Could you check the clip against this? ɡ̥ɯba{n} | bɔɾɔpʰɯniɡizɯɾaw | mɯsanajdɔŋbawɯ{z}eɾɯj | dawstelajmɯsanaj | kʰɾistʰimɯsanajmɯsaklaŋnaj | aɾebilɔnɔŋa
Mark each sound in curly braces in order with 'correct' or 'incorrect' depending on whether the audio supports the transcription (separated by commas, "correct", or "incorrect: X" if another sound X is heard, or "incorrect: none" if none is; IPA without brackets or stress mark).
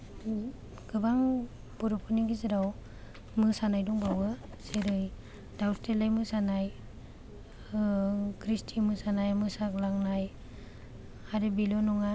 incorrect: ŋ, incorrect: s